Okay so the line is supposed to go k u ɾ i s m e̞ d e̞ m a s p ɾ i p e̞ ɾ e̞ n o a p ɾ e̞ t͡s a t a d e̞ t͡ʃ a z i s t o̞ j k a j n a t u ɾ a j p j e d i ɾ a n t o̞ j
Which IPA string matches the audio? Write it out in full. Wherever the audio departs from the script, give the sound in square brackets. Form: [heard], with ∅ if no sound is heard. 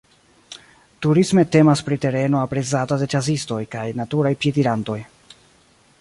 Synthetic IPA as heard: [t] u ɾ i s m e̞ [t] e̞ m a s p ɾ i [t] e̞ ɾ e̞ n o a p ɾ e̞ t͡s a t a d e̞ t͡ʃ a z i s t o̞ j k a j n a t u ɾ a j p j e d i ɾ a n t o̞ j